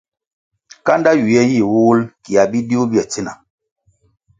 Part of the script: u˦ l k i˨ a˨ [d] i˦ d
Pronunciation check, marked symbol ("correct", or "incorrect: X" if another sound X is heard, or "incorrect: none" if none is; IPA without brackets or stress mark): incorrect: b